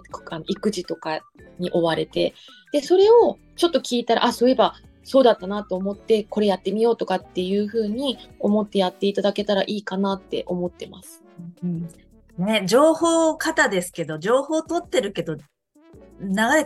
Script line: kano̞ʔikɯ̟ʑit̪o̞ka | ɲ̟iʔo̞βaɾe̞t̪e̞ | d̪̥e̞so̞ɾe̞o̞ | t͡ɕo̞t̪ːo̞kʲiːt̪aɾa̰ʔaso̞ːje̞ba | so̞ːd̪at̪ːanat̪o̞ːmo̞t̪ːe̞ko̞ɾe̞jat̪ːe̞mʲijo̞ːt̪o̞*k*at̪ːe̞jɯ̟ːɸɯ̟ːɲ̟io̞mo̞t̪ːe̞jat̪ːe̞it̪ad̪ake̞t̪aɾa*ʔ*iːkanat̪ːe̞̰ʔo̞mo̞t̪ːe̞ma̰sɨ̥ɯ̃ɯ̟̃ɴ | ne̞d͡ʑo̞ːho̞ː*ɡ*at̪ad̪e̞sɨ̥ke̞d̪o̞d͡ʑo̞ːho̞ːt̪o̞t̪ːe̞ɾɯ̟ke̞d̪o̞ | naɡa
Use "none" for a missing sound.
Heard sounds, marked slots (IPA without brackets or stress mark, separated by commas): k, ʔ, k